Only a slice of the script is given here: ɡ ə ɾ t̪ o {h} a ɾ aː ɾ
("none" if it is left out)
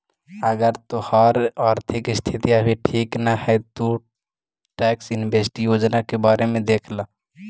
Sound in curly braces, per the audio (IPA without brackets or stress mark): h